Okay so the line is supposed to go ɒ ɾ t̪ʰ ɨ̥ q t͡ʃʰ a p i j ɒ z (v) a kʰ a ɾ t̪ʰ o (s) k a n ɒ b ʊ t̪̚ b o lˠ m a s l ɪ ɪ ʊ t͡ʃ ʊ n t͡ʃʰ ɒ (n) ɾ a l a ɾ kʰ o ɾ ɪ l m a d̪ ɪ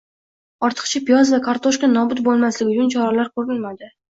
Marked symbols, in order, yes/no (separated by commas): yes, no, no